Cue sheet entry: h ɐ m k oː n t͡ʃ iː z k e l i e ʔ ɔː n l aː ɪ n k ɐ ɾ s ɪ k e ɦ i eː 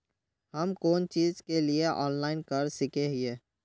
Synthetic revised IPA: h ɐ m k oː n t͡ʃ iː z k e l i e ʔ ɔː n l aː ɪ n k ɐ ɾ s ɪ k e ɦ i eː